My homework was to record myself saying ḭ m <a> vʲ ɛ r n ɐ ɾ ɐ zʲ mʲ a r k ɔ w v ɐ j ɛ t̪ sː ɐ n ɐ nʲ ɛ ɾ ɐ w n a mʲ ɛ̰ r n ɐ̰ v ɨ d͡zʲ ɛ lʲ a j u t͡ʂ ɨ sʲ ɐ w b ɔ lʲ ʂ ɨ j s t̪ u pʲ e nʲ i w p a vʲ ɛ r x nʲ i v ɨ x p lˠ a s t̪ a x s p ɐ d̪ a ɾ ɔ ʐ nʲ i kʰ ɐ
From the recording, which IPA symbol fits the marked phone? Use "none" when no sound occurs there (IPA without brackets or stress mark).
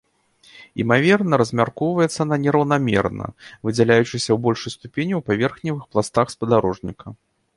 a